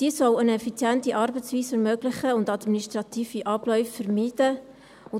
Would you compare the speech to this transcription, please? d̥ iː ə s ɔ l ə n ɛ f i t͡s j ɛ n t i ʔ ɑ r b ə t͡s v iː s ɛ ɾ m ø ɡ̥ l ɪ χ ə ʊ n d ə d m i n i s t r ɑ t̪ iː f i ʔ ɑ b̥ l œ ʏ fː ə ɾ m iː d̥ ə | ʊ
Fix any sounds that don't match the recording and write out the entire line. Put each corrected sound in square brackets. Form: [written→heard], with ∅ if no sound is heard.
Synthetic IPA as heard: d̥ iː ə s ɔ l ə n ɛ f i t͡s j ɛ n t i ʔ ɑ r b ə t͡s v iː s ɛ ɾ m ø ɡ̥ l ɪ χ ə ʊ n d [ə→ɑ] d m i n i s t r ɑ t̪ iː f i ʔ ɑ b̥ l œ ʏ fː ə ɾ m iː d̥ ə | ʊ